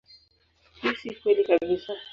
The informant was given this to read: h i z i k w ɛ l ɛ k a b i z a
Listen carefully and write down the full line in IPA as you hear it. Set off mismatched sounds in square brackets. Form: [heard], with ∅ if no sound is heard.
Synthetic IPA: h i [s] i k w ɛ l [i] k a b i [s] a